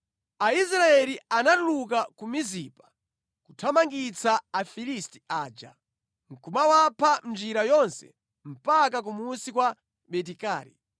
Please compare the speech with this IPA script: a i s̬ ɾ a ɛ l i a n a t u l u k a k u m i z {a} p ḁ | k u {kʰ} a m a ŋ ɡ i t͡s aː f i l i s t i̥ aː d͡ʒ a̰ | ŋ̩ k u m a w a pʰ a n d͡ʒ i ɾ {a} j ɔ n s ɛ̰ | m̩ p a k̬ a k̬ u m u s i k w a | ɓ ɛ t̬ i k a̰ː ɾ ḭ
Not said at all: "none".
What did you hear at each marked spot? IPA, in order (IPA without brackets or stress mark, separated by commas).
i, tʰ, a